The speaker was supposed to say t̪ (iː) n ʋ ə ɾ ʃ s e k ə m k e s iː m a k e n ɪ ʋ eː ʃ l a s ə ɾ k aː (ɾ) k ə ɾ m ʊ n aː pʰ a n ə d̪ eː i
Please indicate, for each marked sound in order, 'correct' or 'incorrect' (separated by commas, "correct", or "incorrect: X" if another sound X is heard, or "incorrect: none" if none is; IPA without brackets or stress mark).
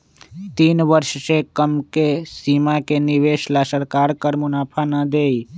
correct, correct